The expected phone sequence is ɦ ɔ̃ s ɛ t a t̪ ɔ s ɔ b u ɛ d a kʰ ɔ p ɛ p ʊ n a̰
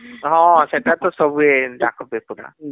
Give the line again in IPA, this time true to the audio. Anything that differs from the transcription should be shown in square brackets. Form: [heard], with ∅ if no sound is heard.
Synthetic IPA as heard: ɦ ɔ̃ s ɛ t a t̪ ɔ s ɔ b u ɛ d a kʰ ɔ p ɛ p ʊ n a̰